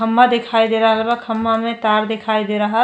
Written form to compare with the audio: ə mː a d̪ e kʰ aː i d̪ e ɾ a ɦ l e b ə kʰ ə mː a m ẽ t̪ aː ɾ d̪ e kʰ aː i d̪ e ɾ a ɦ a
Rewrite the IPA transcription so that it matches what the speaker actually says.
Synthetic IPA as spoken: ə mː a d̪ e kʰ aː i d̪ e ɾ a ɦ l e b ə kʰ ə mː a m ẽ t̪ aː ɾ d̪ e kʰ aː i d̪ e ɾ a ɦ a